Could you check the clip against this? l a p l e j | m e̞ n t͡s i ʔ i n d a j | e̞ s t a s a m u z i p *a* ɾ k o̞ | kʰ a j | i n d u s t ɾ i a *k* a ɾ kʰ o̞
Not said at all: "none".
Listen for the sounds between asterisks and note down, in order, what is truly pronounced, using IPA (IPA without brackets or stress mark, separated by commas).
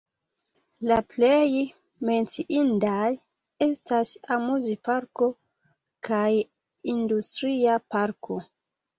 a, p